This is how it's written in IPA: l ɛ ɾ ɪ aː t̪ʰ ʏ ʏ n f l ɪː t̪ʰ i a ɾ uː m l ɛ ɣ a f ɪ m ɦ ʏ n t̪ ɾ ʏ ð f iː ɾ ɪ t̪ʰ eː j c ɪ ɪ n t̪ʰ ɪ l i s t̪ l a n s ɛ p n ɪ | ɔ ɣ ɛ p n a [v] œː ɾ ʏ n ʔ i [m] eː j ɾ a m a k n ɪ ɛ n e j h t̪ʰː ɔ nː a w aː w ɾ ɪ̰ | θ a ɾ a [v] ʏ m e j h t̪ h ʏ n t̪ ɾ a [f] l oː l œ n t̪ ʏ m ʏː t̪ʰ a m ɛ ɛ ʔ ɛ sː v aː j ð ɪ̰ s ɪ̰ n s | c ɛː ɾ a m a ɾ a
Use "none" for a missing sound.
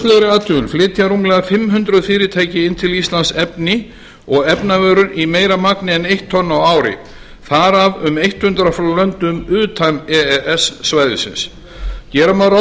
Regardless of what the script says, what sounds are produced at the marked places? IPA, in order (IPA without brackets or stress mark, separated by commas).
v, m, v, f